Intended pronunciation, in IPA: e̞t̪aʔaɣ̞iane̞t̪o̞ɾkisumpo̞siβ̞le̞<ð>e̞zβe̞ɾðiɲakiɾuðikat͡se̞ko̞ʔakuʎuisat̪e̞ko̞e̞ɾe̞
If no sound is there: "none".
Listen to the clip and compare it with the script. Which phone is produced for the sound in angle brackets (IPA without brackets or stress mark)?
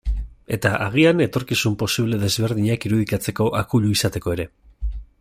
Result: ð